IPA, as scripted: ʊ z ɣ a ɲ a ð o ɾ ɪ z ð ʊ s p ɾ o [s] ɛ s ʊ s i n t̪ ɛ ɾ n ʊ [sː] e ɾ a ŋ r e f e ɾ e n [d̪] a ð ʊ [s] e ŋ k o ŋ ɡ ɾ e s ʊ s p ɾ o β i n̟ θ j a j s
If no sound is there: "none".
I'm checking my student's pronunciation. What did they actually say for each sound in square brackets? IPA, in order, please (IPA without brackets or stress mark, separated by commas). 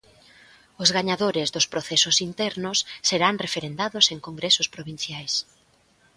θ, sː, d̪, s